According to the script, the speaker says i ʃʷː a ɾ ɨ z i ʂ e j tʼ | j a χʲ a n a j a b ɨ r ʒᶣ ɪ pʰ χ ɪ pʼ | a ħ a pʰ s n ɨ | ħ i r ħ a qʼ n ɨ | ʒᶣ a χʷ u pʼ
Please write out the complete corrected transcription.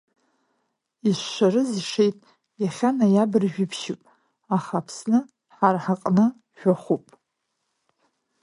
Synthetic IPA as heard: i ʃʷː a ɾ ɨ z i ʂ e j tʼ | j a χʲ a n a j a b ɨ r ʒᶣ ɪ pʰ ʃ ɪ pʼ | a χ a pʰ s n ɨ | ħ a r ħ a qʼ n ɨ | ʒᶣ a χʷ u pʼ